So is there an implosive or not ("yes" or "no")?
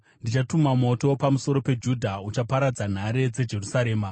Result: no